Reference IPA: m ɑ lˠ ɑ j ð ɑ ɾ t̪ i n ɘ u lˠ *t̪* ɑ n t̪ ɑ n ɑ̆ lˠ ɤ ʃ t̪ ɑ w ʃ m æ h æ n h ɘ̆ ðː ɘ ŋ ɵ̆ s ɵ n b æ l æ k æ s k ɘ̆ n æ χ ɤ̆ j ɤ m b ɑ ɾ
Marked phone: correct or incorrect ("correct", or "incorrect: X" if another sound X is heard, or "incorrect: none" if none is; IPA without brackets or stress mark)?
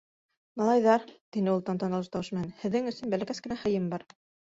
correct